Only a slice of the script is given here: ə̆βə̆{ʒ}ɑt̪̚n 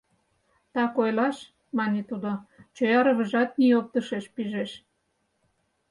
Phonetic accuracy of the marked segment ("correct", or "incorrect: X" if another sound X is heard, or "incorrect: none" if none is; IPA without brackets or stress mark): correct